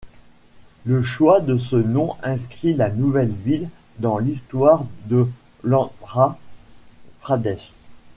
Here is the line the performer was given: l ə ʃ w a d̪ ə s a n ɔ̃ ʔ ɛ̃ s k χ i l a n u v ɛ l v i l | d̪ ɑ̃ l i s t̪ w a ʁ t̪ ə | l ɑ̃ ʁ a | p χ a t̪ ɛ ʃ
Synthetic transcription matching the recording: l ə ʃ w a d̪ ə s ə n ɔ̃ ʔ ɛ̃ s k χ i l a n u v ɛ l v i l | d̪ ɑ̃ l i s t̪ w a ʁ d̪ ə | l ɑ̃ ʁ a | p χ a d̪ ɛ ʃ